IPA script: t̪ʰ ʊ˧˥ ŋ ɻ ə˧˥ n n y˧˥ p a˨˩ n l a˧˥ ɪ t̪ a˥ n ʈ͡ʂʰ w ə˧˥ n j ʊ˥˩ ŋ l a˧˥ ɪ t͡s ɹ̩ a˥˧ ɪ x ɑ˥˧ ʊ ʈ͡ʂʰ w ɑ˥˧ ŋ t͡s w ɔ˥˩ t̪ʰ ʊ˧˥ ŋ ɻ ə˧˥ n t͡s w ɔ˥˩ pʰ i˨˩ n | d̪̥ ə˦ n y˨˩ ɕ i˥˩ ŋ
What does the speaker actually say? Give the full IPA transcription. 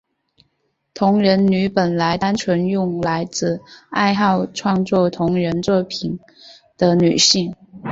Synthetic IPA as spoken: t̪ʰ ʊ˧˥ ŋ ɻ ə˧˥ n n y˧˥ p ə˨˩ n l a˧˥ ɪ t̪ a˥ n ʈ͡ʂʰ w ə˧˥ n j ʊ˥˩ ŋ l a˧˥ ɪ t͡s ɹ̩ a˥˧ ɪ x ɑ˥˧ ʊ ʈ͡ʂʰ w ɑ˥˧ ŋ t͡s w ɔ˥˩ t̪ʰ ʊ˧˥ ŋ ɻ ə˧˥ n t͡s w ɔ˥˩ pʰ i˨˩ n | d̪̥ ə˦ n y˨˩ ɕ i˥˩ ŋ

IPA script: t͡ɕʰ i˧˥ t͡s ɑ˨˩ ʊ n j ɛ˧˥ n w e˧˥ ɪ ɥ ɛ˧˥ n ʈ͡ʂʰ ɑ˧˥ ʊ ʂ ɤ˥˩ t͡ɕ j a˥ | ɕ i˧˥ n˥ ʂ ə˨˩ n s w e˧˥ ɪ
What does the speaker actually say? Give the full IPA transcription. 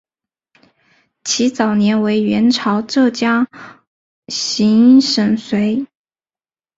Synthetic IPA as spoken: t͡ɕʰ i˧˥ t͡s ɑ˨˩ ʊ n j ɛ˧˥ n w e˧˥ ɪ ɥ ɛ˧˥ n ʈ͡ʂʰ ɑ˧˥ ʊ ʈ͡ʂ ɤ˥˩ t͡ɕ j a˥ | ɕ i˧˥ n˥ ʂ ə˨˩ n s w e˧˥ ɪ

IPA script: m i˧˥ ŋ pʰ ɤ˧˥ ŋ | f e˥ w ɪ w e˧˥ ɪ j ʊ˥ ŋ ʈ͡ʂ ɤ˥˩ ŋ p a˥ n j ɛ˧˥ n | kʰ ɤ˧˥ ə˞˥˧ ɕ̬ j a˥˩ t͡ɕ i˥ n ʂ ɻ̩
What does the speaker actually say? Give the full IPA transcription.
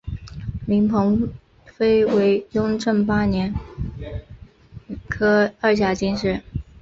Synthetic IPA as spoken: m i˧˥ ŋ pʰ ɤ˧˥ ŋ | f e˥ ɪ w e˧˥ ɪ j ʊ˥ ŋ ʈ͡ʂ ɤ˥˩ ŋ p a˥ n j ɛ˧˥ n | kʰ ɤ˥ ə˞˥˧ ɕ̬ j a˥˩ t͡ɕ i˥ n ʂ ɻ̩

